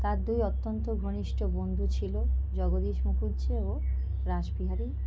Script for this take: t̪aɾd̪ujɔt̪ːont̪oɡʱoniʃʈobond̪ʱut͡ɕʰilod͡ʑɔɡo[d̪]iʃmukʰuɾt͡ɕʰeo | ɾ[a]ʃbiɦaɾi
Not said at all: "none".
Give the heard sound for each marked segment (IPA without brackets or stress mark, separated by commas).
d̪, a